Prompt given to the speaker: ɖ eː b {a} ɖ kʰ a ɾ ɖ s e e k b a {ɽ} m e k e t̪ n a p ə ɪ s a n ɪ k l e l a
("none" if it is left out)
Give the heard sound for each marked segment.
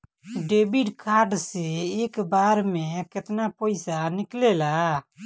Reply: i, ɾ

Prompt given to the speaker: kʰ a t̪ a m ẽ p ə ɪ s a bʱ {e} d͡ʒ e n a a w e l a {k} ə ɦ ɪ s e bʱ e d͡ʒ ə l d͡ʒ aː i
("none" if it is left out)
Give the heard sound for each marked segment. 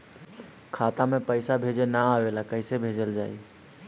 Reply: e, k

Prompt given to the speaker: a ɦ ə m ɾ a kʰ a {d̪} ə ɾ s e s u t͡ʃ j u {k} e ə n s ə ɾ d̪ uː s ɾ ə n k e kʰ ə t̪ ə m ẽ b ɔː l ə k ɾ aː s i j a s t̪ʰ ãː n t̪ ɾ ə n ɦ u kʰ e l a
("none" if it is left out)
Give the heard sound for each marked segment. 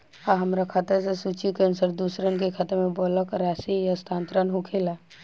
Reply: t̪, k

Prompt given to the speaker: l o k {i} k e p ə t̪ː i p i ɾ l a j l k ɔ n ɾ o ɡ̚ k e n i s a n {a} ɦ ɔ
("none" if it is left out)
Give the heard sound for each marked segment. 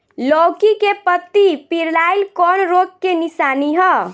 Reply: i, i

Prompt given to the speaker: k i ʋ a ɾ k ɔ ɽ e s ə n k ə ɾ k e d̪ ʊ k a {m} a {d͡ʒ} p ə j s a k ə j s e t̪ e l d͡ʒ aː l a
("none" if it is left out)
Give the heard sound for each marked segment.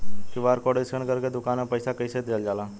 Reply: n, none

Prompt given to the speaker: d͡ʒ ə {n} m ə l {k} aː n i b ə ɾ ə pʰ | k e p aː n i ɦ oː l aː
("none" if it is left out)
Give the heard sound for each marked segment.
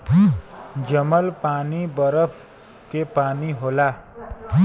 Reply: none, p

